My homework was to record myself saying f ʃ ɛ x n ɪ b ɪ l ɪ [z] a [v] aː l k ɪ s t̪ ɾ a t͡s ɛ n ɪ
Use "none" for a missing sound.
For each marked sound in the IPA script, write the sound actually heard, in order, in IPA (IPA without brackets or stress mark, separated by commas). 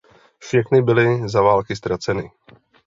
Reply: z, v